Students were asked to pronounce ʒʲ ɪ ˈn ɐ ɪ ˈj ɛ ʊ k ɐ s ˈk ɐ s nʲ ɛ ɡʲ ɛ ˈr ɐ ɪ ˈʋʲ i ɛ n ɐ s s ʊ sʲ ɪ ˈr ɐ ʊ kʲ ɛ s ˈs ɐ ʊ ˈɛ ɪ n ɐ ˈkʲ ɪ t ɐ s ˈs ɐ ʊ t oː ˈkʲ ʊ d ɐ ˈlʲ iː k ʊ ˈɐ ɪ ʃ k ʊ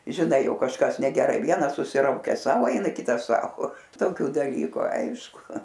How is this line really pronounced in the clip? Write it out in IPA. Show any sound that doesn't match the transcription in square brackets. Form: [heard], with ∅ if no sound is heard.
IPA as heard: ʒʲ ɪ ˈn ɐ ɪ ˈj ɛ ʊ k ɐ [ʃ] ˈk ɐ s nʲ ɛ ɡʲ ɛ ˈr ɐ ɪ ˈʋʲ i ɛ n ɐ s s ʊ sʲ ɪ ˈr ɐ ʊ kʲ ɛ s ˈs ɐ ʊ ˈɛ ɪ n ɐ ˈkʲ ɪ t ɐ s ˈs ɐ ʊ t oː ˈkʲ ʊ d ɐ ˈlʲ iː k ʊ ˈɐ ɪ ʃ k ʊ